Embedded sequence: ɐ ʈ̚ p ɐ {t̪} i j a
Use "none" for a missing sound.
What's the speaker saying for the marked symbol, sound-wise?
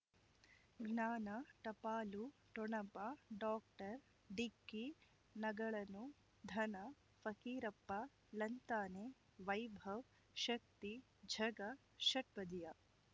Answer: d̪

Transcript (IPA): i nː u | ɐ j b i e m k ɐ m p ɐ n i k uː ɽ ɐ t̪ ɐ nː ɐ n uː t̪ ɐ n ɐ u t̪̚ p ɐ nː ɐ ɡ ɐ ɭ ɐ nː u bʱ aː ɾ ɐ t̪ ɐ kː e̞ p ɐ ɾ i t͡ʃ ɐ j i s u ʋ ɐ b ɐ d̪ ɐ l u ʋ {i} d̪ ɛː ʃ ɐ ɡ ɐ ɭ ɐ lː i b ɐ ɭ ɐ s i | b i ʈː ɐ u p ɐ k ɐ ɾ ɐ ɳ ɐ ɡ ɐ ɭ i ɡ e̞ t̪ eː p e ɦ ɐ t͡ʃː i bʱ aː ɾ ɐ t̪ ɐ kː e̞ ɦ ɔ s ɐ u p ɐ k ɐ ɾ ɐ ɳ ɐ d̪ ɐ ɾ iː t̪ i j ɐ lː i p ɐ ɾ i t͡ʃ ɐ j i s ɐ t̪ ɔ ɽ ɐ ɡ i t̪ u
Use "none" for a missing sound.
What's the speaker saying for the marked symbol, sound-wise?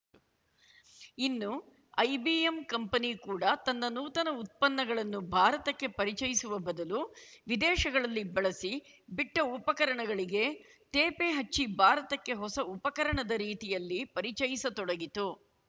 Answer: i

